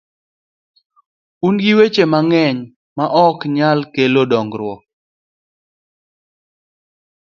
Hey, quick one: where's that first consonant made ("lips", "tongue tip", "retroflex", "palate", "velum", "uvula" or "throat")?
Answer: tongue tip